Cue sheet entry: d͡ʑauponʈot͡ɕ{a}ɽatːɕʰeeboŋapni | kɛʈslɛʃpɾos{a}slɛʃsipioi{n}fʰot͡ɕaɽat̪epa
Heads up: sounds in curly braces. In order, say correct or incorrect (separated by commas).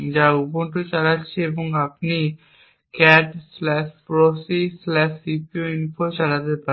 correct, incorrect, correct